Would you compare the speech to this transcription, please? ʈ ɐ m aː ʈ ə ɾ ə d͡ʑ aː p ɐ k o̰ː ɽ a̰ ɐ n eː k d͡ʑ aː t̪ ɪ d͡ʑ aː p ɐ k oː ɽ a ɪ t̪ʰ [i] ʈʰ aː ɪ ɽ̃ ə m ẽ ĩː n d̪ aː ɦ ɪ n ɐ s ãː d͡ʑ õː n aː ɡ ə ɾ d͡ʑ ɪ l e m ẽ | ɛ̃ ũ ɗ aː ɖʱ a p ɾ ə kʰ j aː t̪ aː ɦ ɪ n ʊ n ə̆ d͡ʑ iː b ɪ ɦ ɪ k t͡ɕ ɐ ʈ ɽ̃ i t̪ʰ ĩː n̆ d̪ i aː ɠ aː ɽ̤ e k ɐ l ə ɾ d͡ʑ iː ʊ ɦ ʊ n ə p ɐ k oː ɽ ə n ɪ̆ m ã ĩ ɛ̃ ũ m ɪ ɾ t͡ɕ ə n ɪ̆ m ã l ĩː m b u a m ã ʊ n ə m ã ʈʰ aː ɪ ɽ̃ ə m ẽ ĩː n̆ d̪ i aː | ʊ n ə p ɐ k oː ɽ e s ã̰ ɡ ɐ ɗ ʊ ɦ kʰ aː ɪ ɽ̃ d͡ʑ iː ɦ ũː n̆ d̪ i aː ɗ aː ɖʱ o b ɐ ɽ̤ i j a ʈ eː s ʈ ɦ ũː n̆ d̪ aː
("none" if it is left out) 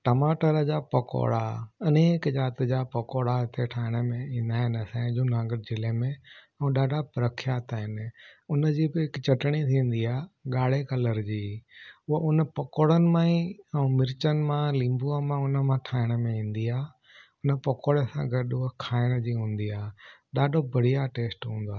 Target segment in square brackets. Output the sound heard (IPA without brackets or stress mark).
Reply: e